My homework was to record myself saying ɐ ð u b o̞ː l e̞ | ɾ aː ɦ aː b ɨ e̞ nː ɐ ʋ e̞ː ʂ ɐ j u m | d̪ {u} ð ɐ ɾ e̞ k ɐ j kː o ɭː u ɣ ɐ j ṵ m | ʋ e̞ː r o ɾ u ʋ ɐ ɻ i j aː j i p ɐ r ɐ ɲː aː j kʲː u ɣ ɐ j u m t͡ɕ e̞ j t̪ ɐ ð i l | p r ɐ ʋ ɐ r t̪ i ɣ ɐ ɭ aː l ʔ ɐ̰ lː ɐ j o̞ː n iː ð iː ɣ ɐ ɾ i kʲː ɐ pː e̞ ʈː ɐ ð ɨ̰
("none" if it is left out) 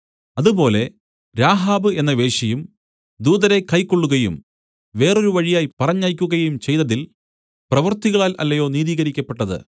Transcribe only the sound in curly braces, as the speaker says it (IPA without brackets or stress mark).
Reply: uː